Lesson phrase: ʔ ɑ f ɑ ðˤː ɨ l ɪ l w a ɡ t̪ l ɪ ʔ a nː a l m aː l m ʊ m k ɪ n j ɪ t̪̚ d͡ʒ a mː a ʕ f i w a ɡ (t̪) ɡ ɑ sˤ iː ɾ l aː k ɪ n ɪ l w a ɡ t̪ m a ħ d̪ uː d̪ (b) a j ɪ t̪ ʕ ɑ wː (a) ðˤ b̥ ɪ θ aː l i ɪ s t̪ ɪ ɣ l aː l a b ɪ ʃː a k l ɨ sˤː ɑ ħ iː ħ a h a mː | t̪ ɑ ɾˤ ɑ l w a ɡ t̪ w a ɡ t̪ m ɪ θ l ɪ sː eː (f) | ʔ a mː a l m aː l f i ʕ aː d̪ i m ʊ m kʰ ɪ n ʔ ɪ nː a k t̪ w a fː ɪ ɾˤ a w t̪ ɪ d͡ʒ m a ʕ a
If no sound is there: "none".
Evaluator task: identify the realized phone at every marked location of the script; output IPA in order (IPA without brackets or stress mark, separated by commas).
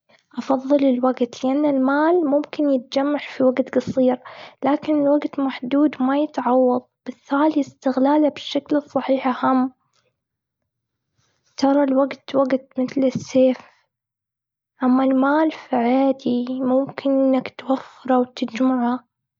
t̪, m, ɑ, f